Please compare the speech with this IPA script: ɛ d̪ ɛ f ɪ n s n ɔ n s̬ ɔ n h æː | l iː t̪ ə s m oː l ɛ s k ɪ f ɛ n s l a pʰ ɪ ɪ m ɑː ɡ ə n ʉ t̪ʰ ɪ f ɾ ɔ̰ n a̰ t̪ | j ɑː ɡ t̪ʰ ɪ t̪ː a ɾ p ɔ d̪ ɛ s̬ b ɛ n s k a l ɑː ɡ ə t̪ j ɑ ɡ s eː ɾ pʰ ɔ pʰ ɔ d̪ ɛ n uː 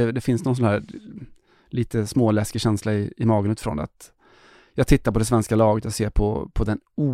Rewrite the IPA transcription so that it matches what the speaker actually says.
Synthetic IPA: ɛ d̪ ɛ f ɪ n s n ɔ n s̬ ɔ n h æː | l iː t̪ ə s m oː l ɛ s k ɪ ɕ ɛ n s l a ɪ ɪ m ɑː ɡ ə n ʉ t̪ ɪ f ɾ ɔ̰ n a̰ t̪ | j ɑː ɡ t̪ʰ ɪ t̪ː a ɾ p ɔ d̪ ɛ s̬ v ɛ n s k a l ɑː ɡ ə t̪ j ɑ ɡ s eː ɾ pʰ ɔ pʰ ɔ d̪ ɛ n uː